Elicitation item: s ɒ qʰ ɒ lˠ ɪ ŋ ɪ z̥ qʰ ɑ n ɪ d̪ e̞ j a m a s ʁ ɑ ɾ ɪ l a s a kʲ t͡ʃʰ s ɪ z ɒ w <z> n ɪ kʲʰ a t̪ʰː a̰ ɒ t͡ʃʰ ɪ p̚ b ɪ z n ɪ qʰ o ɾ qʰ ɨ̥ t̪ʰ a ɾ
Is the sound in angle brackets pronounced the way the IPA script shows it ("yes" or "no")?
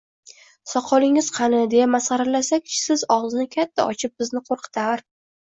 yes